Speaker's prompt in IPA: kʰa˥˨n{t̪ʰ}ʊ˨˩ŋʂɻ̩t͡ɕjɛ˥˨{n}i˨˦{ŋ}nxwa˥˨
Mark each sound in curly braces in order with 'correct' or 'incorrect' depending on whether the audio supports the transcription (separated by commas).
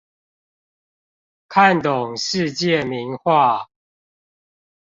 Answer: incorrect, incorrect, incorrect